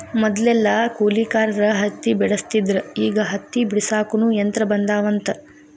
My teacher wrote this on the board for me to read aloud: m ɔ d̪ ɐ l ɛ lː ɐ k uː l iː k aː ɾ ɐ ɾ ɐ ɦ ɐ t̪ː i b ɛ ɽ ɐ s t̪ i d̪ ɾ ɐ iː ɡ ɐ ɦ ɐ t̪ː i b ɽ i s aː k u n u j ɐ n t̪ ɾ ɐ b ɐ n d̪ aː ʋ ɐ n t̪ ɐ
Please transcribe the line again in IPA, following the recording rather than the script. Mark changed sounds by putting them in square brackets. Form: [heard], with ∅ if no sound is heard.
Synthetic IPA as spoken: m ɔ d̪ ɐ l ɛ lː ɐ k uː l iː k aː ɾ ɐ ɾ ɐ ɦ ɐ t̪ː i b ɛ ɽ ɐ s t̪ i d̪ ɾ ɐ iː ɡ ɐ ɦ ɐ t̪ː i b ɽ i s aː k u n u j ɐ n t̪ ɾ ɐ b ɐ n d̪ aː ʋ ɐ n t̪ ɐ